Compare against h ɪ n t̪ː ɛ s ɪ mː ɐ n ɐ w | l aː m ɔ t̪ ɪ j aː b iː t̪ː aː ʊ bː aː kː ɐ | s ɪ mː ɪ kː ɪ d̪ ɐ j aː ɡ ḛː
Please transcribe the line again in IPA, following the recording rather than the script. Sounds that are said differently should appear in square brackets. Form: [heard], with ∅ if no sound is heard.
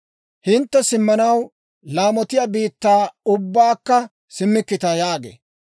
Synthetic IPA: h ɪ n t̪ː ɛ s ɪ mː ɐ n ɐ w | l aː m ɔ t̪ ɪ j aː b iː t̪ː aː ʊ bː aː kː ɐ | s ɪ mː ɪ kː ɪ [t̪] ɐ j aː ɡ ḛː